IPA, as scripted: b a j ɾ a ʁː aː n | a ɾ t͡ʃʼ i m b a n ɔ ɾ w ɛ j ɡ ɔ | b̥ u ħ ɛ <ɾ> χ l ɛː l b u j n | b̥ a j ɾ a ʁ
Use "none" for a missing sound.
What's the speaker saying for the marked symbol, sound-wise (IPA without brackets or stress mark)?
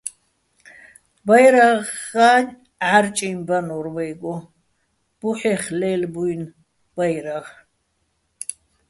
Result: none